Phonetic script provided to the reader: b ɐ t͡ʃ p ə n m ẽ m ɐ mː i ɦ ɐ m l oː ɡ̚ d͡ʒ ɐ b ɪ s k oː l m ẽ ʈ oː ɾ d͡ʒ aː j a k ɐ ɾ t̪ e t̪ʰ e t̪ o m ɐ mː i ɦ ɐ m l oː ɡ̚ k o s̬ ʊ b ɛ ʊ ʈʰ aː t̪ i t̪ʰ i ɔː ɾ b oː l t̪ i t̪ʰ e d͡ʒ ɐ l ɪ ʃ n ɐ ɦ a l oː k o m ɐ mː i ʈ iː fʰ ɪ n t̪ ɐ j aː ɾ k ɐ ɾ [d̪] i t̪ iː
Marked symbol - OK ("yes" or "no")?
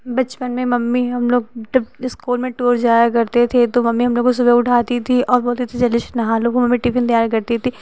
no